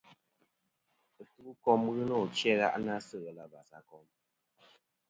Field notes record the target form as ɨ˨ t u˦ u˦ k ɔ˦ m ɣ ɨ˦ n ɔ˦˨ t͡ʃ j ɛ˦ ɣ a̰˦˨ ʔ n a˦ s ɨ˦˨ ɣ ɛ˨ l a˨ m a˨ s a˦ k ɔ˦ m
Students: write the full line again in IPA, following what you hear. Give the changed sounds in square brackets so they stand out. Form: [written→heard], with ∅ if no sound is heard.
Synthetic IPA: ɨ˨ t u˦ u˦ k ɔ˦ m ɣ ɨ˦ n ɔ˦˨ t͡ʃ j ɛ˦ ɣ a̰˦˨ ʔ n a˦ s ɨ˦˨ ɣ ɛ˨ l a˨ [m→b] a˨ s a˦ k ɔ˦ m